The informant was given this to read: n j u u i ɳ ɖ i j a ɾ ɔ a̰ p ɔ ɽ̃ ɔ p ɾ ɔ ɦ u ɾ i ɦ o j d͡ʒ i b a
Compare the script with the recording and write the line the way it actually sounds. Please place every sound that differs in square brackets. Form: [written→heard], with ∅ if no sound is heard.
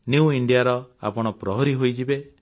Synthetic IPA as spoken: n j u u i ɳ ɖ i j a ɾ ɔ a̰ p ɔ ɽ̃ ɔ p ɾ ɔ ɦ [u→ɔ] ɾ i ɦ o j d͡ʒ i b [a→e]